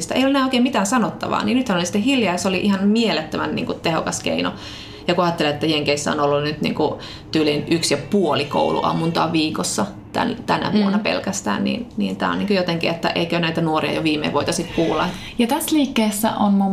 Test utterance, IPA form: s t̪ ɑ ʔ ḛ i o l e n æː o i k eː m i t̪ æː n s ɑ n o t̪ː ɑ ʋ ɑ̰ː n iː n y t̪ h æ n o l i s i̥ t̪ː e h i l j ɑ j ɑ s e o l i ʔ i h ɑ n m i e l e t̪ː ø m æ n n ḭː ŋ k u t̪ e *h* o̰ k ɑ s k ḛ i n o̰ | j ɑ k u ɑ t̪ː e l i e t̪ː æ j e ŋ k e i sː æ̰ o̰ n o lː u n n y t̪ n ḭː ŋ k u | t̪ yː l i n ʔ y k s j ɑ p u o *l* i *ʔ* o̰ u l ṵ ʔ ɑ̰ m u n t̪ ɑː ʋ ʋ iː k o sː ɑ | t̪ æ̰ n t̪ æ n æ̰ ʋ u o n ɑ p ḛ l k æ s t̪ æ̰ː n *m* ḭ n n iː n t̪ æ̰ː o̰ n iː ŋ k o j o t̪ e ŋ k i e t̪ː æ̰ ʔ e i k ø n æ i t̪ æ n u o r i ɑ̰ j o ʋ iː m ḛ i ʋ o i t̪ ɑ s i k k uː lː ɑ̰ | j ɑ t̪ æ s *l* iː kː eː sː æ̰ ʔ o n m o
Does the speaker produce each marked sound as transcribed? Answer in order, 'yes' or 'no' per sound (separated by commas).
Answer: yes, yes, no, no, yes